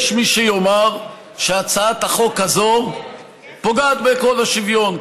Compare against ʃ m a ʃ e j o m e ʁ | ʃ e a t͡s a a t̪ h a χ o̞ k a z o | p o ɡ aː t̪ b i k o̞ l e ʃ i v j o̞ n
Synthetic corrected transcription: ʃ m i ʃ e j o m a ʁ | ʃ e a t͡s a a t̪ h a χ o̞ k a z o | p o ɡ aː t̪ b e k o̞ l a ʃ i v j o̞ n